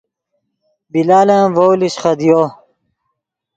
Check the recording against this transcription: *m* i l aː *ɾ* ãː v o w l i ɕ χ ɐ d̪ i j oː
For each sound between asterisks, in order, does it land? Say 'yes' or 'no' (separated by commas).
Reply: no, no